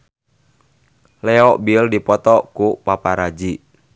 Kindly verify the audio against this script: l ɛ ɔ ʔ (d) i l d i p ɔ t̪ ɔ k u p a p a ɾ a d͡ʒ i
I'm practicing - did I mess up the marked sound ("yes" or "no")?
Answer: yes